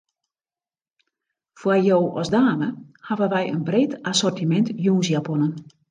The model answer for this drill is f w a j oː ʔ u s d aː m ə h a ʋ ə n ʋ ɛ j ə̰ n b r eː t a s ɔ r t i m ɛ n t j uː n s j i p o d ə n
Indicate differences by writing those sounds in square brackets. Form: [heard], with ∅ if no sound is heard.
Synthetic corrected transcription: f w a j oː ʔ [ɔ] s d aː m ə h a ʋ ə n ʋ ɛ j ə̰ n b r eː t a s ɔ r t i m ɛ n t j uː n s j [a] p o [n] ə n